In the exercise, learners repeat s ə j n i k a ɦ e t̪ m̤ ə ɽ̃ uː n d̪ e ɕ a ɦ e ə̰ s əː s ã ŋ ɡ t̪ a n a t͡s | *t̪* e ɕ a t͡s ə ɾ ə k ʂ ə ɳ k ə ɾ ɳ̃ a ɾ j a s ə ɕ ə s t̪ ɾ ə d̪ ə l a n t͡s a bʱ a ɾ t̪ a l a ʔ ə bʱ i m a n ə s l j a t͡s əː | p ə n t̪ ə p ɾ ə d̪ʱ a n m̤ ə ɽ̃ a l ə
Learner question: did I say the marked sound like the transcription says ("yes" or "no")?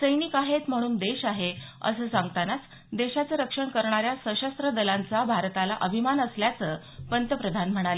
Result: no